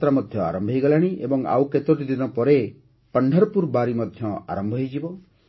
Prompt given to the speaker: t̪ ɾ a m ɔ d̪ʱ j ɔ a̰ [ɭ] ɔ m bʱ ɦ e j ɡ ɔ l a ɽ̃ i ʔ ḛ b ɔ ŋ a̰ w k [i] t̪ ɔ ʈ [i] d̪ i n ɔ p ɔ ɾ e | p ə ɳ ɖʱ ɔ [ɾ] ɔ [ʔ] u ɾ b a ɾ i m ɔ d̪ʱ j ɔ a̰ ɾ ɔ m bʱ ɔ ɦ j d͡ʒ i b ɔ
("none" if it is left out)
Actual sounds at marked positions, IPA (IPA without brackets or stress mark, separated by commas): ɾ, e, i, ɾ, p